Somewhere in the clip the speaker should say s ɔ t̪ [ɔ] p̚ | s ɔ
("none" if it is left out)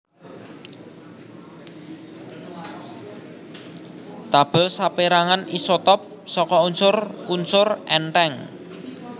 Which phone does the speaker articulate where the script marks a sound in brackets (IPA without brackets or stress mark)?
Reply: ɔ